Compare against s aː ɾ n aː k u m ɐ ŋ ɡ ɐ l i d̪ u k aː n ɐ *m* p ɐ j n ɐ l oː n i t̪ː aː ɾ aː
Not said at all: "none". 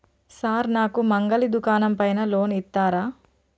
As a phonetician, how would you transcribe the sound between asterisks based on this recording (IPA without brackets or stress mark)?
m